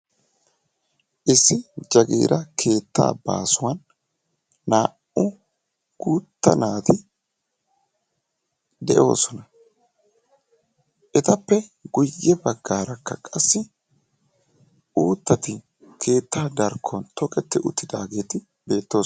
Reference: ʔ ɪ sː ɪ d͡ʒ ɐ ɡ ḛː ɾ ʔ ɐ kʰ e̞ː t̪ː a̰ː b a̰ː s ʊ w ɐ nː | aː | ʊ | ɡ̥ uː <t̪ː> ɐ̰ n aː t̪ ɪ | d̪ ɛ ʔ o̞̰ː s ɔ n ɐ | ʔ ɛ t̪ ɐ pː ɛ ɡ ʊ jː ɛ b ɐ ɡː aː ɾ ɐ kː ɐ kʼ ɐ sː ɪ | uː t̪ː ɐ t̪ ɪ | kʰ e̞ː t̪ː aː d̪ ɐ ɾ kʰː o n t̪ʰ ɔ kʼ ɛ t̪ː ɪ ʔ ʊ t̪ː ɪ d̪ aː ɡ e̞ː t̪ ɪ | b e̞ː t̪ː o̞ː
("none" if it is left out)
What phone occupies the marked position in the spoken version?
t̪ː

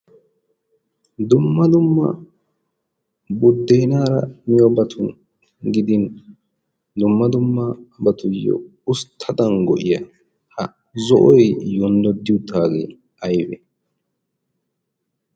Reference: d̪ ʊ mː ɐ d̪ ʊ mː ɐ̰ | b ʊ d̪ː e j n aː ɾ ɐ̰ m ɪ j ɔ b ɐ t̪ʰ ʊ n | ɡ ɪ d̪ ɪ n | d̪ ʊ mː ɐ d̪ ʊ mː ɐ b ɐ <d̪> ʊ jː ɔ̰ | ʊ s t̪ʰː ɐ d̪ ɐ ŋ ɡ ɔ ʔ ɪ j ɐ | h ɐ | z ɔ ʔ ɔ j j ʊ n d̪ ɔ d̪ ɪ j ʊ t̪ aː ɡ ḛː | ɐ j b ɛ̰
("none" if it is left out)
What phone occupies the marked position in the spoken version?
t̪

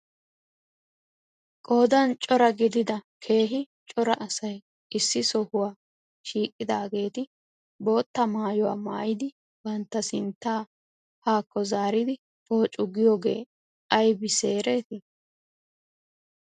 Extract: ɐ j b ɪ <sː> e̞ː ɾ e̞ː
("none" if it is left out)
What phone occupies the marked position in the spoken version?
s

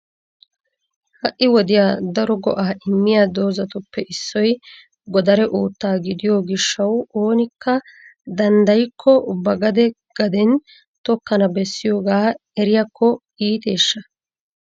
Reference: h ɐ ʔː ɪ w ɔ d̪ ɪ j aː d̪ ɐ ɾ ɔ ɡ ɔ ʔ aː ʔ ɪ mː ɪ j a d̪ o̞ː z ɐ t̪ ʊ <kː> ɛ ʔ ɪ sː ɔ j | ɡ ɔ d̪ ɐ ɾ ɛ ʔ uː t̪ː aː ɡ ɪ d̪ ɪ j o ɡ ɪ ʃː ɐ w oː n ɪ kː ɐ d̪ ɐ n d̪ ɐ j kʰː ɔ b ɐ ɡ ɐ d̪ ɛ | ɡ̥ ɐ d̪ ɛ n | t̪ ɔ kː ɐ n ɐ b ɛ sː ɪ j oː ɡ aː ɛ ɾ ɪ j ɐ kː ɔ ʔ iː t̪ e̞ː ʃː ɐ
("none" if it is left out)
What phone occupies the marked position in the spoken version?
pː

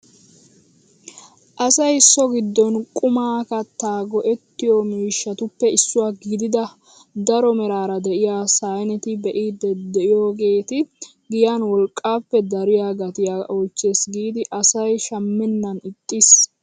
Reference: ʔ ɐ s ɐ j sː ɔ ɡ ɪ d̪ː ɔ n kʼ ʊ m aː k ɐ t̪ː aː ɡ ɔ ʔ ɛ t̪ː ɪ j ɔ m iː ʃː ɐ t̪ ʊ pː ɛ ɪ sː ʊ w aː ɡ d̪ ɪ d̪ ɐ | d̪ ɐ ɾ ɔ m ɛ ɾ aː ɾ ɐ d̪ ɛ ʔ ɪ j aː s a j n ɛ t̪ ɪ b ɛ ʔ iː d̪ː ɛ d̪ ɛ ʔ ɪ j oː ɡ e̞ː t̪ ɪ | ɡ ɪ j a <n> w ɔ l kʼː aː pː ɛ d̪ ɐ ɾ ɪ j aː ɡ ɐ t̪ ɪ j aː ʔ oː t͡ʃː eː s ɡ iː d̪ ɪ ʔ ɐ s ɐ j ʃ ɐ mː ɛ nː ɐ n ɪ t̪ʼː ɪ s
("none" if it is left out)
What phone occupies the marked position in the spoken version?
n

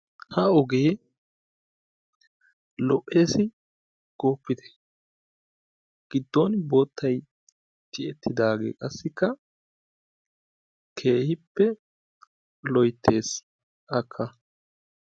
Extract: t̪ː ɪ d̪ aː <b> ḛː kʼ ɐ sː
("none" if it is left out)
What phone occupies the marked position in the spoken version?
ɡ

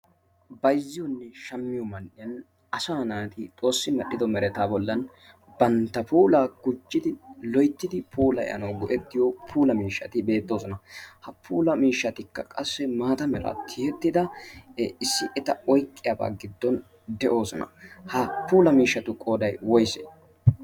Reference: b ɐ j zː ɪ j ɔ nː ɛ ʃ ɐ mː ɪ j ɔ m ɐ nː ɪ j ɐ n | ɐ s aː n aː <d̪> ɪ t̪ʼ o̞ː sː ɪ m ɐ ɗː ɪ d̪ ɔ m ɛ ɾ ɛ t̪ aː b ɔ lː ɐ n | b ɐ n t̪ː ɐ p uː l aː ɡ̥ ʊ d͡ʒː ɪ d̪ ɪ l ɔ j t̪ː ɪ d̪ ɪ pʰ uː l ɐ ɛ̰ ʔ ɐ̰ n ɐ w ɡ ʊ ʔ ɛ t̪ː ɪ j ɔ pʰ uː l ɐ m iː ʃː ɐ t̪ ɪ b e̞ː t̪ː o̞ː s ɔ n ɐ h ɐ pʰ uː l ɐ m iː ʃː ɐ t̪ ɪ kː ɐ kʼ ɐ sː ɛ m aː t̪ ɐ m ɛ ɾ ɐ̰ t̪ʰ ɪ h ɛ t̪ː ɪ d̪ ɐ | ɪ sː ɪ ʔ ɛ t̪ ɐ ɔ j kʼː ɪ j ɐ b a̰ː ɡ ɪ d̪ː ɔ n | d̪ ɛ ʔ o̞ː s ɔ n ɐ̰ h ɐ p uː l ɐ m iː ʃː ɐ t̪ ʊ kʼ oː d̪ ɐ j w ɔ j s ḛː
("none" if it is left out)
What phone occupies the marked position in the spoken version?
t̪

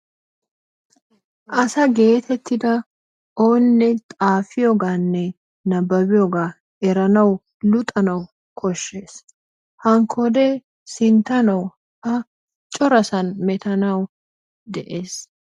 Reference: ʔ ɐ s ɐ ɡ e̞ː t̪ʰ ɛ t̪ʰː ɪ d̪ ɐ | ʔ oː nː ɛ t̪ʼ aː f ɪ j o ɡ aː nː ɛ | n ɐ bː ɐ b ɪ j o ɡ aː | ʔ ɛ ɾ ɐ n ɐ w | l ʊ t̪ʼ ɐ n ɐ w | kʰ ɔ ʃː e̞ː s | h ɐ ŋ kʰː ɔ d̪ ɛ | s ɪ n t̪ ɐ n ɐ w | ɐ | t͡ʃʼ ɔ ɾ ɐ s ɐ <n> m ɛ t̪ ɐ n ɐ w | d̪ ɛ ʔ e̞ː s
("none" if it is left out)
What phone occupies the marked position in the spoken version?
n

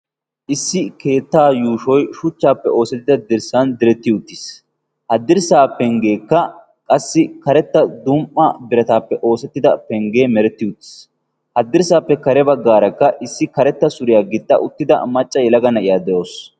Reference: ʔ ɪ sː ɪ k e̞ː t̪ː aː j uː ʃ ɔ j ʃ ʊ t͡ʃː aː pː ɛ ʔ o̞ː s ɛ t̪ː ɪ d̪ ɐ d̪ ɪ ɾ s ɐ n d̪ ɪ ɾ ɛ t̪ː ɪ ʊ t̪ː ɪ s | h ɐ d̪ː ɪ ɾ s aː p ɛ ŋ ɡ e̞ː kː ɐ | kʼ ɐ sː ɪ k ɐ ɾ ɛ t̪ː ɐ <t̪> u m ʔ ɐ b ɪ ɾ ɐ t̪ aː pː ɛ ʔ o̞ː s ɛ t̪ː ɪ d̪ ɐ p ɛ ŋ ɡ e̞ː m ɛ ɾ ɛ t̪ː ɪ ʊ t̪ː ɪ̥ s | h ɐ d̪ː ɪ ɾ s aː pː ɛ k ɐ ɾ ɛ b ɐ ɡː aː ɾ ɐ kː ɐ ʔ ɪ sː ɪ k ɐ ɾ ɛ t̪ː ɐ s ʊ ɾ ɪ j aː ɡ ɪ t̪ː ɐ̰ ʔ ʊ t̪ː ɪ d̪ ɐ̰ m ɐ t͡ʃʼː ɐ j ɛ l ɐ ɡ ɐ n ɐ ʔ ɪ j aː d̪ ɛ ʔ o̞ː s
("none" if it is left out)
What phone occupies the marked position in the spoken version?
d̪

